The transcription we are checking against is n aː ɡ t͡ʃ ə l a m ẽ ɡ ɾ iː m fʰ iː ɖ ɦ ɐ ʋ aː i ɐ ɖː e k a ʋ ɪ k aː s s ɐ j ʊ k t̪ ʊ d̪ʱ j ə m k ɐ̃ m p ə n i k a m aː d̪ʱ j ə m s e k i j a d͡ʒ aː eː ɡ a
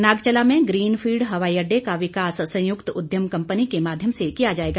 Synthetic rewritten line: n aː ɡ t͡ʃ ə l a m ẽ ɡ ɾ iː n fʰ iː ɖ ɦ ɐ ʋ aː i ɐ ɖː e k a ʋ ɪ k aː s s ɐ̃ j ʊ k t̪ ʊ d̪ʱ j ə m k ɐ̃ m p ə n i k e m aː d̪ʱ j ə m s e k i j a d͡ʒ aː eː ɡ a